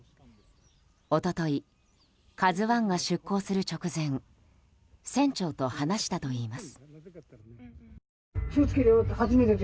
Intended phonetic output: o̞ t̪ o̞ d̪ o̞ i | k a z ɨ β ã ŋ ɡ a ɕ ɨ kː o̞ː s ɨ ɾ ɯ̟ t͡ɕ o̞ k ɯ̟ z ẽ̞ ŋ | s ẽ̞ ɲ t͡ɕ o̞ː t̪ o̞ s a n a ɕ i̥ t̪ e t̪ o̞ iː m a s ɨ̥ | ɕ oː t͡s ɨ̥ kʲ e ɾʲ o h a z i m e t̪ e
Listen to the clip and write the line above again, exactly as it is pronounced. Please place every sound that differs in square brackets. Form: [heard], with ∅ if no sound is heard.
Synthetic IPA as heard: o̞ t̪ o̞ [t̪] o̞ i | k a z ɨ β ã ŋ ɡ a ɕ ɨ kː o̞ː s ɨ ɾ ɯ̟ t͡ɕ o̞ k ɯ̟ z ẽ̞ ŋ | s ẽ̞ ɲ t͡ɕ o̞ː t̪ o̞ [h] a n a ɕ i̥ t̪ [a] t̪ o̞ iː m a s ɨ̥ | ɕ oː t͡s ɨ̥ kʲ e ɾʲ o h a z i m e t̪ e

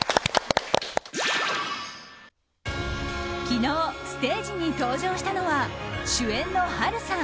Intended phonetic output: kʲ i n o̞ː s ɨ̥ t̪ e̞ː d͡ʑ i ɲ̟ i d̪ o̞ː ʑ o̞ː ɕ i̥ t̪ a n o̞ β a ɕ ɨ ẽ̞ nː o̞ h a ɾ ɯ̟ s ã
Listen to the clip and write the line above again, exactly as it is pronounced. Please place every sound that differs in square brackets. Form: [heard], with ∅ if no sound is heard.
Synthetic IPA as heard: kʲ i n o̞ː s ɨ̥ t̪ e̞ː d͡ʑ i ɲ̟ i [t̪] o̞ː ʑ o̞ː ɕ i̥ t̪ a n o̞ β a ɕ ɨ ẽ̞ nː o̞ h a ɾ ɯ̟ s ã

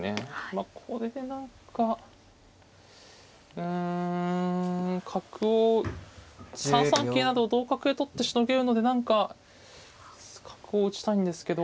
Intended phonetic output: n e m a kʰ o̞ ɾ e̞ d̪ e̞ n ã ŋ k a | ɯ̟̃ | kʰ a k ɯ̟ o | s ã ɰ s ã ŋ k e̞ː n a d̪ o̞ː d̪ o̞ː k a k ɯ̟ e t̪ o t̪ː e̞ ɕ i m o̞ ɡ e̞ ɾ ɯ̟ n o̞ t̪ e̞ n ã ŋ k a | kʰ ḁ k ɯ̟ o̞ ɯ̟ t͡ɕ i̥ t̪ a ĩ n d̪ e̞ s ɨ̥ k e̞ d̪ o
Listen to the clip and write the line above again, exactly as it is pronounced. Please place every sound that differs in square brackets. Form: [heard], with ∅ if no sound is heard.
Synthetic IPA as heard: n e m a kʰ o̞ ɾ e̞ d̪ e̞ n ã ŋ k a | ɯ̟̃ | kʰ a k ɯ̟ o | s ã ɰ s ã ŋ k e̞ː n a d̪ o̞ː d̪ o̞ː k a k ɯ̟ e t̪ o t̪ː e̞ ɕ i [n] o̞ ɡ e̞ ɾ ɯ̟ n o̞ [d̪] e̞ n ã ŋ k a | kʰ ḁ k ɯ̟ o̞ ɯ̟ t͡ɕ i̥ t̪ a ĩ n d̪ e̞ s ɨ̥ k e̞ d̪ o

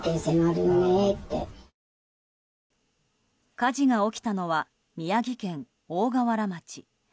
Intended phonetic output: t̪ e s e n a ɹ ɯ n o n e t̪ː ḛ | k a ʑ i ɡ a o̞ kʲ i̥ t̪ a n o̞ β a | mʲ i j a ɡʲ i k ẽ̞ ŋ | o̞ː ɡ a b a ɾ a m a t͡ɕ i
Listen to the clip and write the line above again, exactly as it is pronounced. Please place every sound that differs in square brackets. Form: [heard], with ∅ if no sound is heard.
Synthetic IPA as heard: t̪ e s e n a [ɾ] ɯ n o n e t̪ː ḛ | k a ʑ i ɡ a o̞ kʲ i̥ t̪ a n o̞ β a | mʲ i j a ɡʲ i k ẽ̞ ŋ | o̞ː ɡ a [β] a ɾ a m a t͡ɕ i

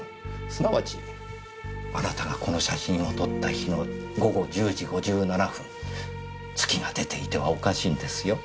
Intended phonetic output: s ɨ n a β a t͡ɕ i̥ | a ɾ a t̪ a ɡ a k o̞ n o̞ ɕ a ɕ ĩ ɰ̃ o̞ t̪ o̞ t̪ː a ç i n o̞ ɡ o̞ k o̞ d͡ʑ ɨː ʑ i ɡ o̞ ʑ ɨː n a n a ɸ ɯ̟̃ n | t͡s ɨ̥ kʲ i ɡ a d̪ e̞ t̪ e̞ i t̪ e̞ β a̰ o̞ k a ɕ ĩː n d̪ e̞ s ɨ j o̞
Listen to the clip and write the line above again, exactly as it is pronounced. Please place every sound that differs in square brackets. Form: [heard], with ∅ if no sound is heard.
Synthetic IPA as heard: s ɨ n a β a t͡ɕ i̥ | a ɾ a t̪ a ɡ a k o̞ n o̞ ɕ a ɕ ĩ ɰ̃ o̞ t̪ o̞ t̪ː a ç i n o̞ ɡ o̞ [ɡ] o̞ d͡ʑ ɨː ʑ i ɡ o̞ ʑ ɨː n a n a ɸ ɯ̟̃ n | t͡s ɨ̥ kʲ i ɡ a d̪ e̞ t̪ e̞ i t̪ e̞ β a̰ o̞ k a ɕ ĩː n d̪ e̞ s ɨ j o̞

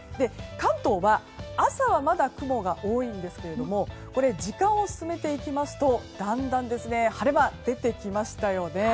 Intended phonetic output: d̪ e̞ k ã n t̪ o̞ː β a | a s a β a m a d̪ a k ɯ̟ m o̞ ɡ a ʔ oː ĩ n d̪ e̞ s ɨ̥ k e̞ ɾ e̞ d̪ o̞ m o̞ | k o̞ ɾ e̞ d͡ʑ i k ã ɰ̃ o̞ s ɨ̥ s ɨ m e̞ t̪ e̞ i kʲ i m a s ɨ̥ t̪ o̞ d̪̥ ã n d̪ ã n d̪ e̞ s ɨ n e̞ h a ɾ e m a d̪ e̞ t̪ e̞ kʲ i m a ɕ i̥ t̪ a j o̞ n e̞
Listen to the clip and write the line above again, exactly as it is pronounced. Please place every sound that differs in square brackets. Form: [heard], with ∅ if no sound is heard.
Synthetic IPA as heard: d̪ e̞ k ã n t̪ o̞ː β a | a s a β a m a d̪ a k ɯ̟ m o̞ ɡ a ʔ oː ĩ n d̪ e̞ s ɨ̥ k e̞ ɾ e̞ d̪ o̞ m o̞ | k o̞ ɾ e̞ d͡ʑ i k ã ɰ̃ o̞ s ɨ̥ s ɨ m e̞ t̪ e̞ i kʲ i m a s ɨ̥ t̪ o̞ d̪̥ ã n d̪ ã n d̪ e̞ s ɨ n e̞ h a ɾ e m a d̪ e̞ t̪ e̞ kʲ i m a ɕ i̥ t̪ a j o̞ n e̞

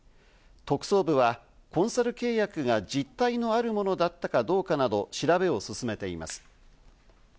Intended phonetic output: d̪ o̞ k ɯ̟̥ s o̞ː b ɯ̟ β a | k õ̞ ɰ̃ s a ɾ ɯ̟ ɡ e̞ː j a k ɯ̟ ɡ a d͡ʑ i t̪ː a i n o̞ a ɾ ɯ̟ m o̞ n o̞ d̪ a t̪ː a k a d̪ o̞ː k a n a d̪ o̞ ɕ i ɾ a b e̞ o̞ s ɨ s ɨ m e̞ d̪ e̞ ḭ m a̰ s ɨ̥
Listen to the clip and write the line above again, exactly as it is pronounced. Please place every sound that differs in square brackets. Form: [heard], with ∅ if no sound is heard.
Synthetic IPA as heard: [t̪] o̞ k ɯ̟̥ s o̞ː b ɯ̟ β a | k õ̞ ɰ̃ s a ɾ ɯ̟ [k] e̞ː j a k ɯ̟ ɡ a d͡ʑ i t̪ː a i n o̞ a ɾ ɯ̟ m o̞ n o̞ d̪ a t̪ː a k a d̪ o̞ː k a n a d̪ o̞ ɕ i ɾ a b e̞ o̞ s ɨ s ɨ m e̞ [t̪] e̞ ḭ m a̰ s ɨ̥

